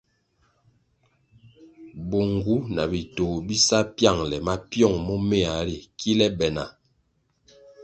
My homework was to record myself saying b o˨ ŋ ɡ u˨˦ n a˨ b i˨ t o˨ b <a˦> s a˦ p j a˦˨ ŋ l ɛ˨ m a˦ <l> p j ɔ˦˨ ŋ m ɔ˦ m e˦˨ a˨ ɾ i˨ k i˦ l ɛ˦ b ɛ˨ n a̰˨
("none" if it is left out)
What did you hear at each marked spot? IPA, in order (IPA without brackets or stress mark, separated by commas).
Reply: i˦, none